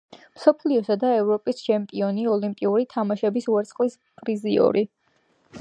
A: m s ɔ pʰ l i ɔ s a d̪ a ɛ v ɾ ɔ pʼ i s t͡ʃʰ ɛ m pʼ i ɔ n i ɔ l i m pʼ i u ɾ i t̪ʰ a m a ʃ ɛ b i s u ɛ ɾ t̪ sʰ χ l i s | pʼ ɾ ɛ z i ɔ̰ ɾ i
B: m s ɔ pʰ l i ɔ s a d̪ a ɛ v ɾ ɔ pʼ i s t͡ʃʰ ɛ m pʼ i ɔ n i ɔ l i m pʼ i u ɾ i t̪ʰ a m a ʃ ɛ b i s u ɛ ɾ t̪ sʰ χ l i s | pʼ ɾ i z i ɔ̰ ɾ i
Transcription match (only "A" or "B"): B